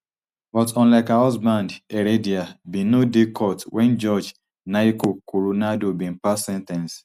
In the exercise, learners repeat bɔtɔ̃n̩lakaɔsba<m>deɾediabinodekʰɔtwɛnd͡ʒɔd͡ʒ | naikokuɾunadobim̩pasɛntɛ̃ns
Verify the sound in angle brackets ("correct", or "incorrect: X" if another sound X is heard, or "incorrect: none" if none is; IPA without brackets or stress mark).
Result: incorrect: n